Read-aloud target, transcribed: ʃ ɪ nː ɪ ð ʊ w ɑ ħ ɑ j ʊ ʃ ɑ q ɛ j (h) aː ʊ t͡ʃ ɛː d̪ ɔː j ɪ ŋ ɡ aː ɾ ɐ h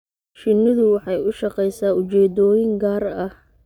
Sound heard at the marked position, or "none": s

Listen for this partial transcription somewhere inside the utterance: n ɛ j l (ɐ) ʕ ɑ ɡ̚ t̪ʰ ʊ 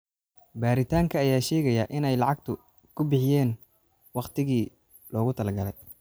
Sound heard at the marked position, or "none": ɑ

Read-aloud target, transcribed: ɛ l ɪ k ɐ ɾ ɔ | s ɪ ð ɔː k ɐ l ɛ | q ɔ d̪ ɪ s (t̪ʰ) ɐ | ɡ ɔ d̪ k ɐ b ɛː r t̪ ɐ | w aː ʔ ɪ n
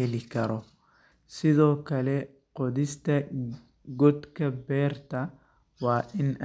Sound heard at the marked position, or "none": t̪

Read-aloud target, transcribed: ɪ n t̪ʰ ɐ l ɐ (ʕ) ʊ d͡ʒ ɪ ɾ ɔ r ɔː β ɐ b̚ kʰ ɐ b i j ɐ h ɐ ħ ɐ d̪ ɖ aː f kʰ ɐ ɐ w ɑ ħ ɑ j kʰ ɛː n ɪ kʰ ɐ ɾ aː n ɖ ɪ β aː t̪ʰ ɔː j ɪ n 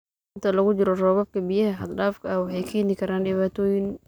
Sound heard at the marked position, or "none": ɣ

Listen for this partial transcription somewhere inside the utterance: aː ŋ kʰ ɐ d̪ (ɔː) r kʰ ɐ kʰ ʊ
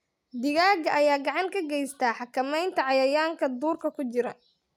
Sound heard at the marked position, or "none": uː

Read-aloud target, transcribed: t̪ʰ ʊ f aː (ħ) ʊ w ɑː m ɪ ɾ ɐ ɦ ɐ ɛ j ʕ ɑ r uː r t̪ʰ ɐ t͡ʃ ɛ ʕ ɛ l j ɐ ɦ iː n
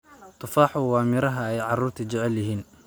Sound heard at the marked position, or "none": ħ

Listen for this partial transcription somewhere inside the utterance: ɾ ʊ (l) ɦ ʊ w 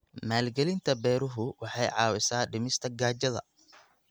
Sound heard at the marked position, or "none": none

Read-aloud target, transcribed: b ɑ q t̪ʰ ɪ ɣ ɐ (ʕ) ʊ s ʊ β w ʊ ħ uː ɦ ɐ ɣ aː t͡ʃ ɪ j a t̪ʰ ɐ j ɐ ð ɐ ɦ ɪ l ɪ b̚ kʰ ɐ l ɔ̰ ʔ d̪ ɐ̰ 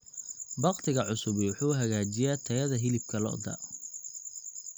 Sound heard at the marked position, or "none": ʕ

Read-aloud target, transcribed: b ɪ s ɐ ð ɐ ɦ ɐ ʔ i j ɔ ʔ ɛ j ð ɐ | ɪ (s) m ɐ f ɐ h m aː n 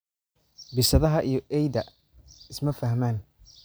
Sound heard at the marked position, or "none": s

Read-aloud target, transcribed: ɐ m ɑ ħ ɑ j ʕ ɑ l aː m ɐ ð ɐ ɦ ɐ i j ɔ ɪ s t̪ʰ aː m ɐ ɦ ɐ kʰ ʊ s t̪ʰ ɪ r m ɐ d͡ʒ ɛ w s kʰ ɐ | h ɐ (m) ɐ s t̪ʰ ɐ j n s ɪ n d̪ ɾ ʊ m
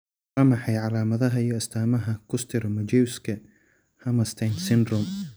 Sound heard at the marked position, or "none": m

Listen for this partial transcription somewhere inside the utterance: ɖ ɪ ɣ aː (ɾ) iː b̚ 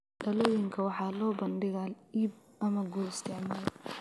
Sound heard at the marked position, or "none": l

